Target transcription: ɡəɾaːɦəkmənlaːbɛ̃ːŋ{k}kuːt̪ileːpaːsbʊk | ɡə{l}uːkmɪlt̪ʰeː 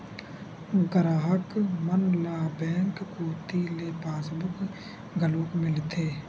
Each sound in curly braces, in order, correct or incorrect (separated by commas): correct, correct